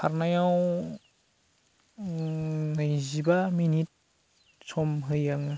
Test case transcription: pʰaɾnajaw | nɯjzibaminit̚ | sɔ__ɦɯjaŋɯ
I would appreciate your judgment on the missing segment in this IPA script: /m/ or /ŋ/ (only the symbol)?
m